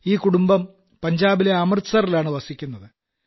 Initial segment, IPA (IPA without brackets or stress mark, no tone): iː